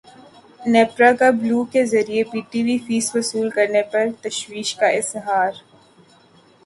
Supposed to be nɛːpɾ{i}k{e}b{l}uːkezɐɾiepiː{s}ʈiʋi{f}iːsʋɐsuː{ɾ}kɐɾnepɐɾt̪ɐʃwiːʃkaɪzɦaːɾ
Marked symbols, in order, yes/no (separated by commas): no, no, yes, no, yes, no